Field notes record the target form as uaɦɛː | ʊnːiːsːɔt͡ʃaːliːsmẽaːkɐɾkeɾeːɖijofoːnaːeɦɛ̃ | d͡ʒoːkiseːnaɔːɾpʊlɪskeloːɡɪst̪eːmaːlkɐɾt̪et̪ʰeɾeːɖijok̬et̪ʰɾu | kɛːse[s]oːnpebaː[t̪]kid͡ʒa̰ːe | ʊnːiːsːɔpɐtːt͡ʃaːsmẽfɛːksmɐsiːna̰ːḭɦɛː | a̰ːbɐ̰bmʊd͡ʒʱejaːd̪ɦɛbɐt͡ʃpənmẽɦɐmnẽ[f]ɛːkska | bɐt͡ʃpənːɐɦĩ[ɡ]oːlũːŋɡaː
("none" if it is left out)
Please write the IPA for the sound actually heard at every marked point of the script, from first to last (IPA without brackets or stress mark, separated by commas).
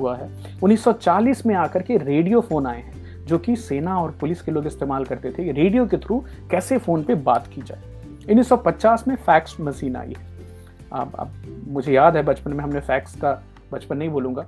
f, t̪, f, b